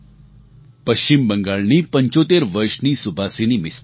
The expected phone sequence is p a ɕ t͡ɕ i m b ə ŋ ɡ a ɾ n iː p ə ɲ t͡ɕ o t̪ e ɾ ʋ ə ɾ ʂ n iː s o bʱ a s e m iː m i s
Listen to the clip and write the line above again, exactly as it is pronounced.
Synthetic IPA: p ə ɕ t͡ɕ i m b ə ŋ ɡ a ɭ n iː p ə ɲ t͡ɕ o t̪ e ɾ ʋ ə ɾ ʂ n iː s u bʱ a s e n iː m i s